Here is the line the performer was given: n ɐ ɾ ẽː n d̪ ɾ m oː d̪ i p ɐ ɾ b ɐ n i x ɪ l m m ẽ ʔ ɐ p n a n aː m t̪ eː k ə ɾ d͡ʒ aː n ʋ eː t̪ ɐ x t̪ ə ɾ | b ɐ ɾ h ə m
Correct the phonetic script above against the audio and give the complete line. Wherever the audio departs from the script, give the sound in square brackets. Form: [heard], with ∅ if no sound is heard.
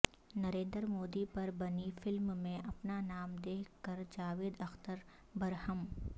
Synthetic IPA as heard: n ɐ ɾ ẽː n d̪ ɾ m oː d̪ i p ɐ ɾ b ɐ n i [f] ɪ l m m ẽ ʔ ɐ p n a n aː m [d̪] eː k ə ɾ d͡ʒ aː [∅] ʋ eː [d̪] ɐ x t̪ ə ɾ | b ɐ ɾ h ə m